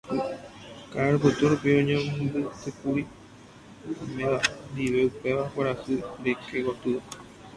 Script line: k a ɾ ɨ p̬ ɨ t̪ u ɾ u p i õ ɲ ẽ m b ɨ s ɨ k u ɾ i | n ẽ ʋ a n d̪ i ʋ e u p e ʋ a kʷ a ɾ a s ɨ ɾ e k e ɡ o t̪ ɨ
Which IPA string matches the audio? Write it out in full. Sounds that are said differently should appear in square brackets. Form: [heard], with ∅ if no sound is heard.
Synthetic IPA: k a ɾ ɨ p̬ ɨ t̪ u ɾ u p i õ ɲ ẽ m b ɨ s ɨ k u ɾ i | [m] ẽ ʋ a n d̪ i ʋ e u p e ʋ a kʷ a ɾ a s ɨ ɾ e k e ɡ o t̪ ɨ

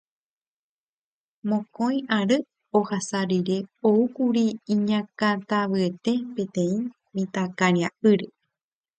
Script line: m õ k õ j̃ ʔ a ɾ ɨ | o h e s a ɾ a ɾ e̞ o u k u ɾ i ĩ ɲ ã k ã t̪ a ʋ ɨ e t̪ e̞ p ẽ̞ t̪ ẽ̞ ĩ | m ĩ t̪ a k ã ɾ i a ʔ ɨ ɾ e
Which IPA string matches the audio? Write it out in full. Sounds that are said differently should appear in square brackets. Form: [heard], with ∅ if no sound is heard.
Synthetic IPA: m õ k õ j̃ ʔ a ɾ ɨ | o h [a] s a ɾ [i] ɾ e̞ o u k u ɾ i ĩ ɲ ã k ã t̪ a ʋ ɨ e t̪ e̞ p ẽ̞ t̪ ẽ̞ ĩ | m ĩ t̪ a k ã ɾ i a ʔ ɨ ɾ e

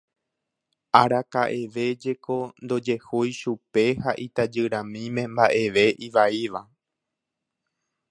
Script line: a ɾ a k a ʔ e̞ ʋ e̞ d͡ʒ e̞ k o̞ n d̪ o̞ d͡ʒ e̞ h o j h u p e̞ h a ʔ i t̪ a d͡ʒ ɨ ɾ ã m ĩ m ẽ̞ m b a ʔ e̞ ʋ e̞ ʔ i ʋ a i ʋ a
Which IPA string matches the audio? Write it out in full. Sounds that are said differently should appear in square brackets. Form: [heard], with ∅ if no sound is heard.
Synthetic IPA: a ɾ a k a ʔ e̞ ʋ e̞ d͡ʒ e̞ k o̞ n d̪ o̞ d͡ʒ e̞ h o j [ʃ] u p e̞ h a ʔ i t̪ a d͡ʒ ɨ ɾ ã m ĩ m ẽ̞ m b a ʔ e̞ ʋ e̞ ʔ i ʋ a i ʋ a

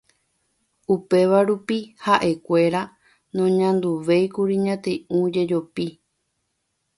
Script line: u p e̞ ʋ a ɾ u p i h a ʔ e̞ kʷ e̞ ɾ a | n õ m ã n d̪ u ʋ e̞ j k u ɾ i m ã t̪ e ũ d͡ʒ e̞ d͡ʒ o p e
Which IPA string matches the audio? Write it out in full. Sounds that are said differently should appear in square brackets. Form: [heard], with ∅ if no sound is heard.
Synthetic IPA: u p e̞ ʋ a ɾ u p i h a ʔ e̞ kʷ e̞ ɾ a | n õ [ɲ] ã n d̪ u ʋ e̞ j k u ɾ i [ɲ] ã t̪ e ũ d͡ʒ e̞ d͡ʒ o p [i]

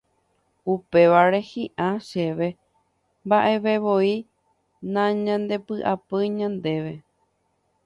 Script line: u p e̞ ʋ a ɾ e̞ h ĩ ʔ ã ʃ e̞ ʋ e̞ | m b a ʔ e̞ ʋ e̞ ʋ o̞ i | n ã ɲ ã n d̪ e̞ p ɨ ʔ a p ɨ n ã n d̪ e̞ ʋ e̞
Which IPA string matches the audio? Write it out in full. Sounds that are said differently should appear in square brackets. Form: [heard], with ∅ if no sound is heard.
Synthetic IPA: u p e̞ ʋ a ɾ e̞ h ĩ ʔ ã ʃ e̞ ʋ e̞ | m b a ʔ e̞ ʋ e̞ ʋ o̞ i | n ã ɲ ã n d̪ e̞ p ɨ ʔ a p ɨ [ɲ] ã n d̪ e̞ ʋ e̞

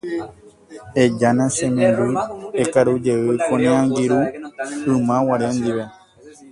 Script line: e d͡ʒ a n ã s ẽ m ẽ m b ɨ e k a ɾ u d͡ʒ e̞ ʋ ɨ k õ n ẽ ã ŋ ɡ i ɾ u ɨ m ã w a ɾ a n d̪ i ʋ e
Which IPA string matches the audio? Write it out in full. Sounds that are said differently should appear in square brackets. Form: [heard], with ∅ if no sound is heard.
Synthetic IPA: e d͡ʒ a n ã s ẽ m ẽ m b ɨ e k a ɾ u d͡ʒ e̞ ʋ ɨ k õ n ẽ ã ŋ ɡ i ɾ u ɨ m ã w a ɾ [e] n d̪ i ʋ e

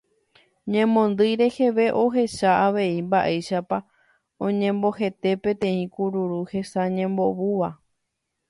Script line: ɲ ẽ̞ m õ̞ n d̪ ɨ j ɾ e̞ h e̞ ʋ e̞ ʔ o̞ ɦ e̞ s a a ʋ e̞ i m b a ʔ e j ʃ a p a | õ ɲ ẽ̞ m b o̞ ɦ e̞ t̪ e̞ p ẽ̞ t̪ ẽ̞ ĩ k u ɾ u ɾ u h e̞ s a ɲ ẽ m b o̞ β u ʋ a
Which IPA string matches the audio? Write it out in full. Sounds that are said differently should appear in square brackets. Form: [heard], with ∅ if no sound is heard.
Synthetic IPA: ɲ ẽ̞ m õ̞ n d̪ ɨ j ɾ e̞ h e̞ ʋ e̞ ʔ o̞ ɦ e̞ [ʃ] a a ʋ e̞ i m b a ʔ e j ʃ a p a | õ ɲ ẽ̞ m b o̞ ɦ e̞ t̪ e̞ p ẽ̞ t̪ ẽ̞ ĩ k u ɾ u ɾ u h e̞ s a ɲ ẽ m b o̞ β u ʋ a

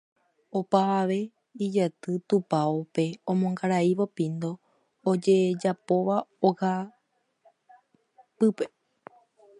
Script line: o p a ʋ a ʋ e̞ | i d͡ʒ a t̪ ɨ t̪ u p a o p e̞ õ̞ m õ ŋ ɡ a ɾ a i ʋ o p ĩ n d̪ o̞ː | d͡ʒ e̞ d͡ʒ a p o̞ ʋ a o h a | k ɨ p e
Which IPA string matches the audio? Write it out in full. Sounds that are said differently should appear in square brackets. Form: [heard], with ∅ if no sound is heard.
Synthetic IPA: o p a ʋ a ʋ e̞ | i d͡ʒ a t̪ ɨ t̪ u p a o p e̞ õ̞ m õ ŋ ɡ a ɾ a i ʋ o p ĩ n d̪ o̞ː | d͡ʒ e̞ d͡ʒ a p o̞ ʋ a o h a | [p] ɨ p e

